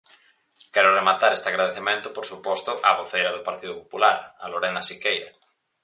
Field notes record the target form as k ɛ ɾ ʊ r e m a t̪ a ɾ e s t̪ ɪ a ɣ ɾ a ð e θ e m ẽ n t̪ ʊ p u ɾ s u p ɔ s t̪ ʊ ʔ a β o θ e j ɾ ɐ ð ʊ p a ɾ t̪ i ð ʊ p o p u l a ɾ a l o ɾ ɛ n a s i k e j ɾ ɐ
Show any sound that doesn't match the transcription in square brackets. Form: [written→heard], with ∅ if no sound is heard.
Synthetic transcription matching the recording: k ɛ ɾ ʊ r e m a t̪ a ɾ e s t̪ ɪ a ɣ ɾ a ð e θ e m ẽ n t̪ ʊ p [u→o] ɾ s u p ɔ s t̪ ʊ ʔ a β o θ e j ɾ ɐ ð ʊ p a ɾ t̪ i ð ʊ p o p u l a ɾ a l o ɾ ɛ n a s i k e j ɾ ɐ